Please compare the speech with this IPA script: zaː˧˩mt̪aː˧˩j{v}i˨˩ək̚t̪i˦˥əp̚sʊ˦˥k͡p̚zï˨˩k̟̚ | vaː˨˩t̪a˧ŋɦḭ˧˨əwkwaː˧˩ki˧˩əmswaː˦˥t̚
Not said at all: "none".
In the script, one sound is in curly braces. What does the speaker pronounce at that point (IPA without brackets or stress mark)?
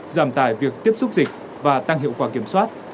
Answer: v